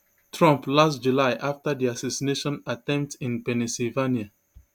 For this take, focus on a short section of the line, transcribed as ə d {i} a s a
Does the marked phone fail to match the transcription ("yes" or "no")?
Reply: no